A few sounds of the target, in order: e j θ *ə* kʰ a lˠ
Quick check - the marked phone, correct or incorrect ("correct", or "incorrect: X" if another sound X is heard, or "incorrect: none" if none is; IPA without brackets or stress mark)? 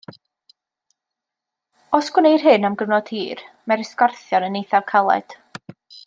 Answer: incorrect: a